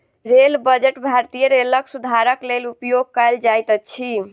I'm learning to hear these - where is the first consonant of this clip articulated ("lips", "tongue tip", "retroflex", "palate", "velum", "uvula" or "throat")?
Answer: tongue tip